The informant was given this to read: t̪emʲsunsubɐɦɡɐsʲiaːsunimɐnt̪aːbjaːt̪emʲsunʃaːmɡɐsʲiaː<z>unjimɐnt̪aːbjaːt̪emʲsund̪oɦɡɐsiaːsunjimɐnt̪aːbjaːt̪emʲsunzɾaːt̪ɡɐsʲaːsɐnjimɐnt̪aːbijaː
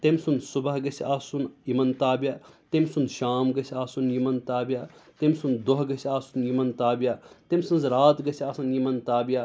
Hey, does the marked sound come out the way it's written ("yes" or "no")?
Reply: no